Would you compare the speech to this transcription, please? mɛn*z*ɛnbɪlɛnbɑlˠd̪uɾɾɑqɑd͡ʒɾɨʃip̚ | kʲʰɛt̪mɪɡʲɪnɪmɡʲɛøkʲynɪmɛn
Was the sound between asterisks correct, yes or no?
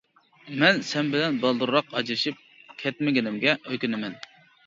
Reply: no